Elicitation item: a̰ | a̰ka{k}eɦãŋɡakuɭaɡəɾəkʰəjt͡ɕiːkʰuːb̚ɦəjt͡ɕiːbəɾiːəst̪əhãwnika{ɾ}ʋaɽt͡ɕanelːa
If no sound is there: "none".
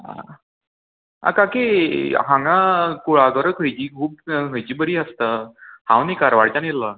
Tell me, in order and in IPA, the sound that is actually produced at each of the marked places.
k, ɾ

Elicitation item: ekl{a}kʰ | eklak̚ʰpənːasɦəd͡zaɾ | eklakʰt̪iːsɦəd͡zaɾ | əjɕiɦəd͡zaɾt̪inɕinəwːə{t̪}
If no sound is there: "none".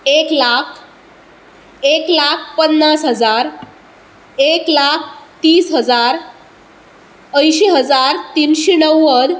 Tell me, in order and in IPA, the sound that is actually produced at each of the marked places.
a, d̪

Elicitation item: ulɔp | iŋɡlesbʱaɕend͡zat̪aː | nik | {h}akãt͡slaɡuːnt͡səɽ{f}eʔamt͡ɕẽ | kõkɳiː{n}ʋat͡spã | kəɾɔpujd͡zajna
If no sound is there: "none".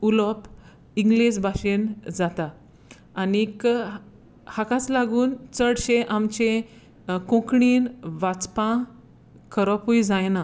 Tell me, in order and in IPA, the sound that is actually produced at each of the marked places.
h, ɕ, n

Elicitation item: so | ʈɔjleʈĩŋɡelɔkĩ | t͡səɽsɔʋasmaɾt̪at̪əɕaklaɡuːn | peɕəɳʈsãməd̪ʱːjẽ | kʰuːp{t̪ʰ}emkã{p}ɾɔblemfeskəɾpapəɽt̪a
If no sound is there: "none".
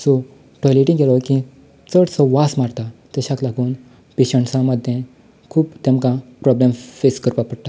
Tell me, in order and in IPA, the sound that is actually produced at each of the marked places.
t̪, p

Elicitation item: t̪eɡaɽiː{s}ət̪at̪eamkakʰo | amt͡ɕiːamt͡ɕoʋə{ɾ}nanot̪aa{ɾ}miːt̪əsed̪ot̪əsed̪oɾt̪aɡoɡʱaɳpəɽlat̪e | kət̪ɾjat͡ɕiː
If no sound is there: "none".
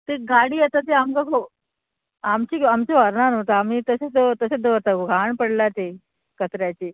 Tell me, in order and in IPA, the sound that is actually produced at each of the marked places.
none, ɾ, none

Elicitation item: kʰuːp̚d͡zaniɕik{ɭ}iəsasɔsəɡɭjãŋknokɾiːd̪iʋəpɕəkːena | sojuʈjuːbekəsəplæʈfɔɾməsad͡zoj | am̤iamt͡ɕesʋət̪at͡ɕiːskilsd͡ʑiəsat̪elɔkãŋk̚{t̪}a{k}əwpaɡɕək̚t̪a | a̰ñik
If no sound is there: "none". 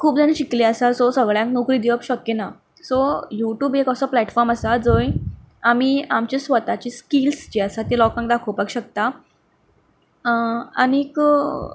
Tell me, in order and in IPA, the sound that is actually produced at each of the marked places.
l, d̪, kʰ

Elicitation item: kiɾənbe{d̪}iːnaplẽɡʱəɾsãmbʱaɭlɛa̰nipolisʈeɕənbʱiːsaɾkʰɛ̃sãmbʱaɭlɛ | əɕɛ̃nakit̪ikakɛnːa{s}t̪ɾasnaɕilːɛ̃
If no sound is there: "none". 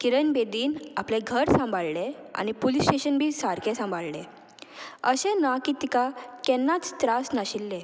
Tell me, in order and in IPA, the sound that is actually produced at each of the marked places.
d̪, t͡s

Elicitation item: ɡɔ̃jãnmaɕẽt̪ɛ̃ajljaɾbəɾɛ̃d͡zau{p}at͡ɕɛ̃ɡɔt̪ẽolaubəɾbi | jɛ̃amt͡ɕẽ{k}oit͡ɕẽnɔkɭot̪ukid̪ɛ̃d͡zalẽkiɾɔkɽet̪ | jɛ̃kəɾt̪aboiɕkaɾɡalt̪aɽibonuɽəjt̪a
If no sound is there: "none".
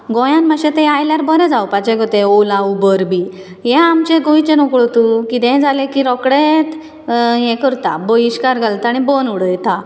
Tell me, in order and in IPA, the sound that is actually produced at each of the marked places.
p, ɡ

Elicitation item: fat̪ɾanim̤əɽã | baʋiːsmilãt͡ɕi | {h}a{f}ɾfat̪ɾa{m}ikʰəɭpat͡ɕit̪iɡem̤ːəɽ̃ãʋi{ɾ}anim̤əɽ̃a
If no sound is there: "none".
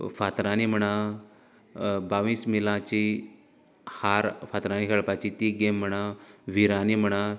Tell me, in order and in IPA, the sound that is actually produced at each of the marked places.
h, none, n, ɾ

